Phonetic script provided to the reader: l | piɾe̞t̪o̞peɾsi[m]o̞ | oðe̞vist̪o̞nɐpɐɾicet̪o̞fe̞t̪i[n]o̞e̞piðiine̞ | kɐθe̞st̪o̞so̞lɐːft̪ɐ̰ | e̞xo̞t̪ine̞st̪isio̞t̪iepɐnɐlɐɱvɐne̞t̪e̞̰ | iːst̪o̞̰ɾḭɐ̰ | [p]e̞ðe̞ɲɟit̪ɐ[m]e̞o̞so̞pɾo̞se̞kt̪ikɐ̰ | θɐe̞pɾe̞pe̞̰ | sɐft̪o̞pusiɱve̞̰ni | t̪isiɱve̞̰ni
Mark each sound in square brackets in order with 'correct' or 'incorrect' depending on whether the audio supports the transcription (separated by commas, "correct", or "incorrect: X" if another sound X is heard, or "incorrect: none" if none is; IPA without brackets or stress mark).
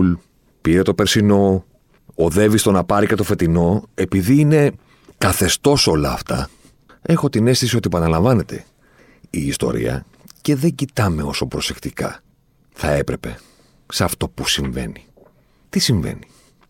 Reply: incorrect: n, correct, incorrect: c, correct